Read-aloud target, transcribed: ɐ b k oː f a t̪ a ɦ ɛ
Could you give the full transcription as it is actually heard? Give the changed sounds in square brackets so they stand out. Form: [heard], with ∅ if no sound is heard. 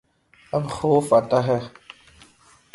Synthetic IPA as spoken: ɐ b [x] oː f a t̪ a ɦ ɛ